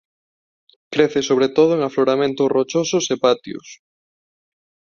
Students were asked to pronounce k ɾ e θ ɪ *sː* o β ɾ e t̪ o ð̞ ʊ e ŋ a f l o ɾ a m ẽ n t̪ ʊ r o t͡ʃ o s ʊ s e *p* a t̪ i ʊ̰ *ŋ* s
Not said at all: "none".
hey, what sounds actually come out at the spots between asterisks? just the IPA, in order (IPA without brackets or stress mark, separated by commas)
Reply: s, p, none